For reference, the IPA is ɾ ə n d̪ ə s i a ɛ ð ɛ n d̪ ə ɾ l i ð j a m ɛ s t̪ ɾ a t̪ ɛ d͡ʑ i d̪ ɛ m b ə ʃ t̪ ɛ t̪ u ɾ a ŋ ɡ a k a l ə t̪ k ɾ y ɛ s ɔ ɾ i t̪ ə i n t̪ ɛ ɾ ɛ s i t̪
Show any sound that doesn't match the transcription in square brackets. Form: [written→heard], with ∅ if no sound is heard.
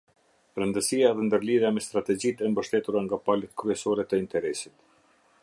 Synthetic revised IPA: ɾ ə n d̪ ə s i a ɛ ð ɛ n d̪ ə ɾ l i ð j a m ɛ s t̪ ɾ a t̪ ɛ d͡ʑ i [d̪→t̪] ɛ m b ə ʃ t̪ ɛ t̪ u ɾ a ŋ ɡ a [k→p] a l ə t̪ k ɾ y ɛ s ɔ ɾ [i→ɛ] t̪ ə i n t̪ ɛ ɾ ɛ s i t̪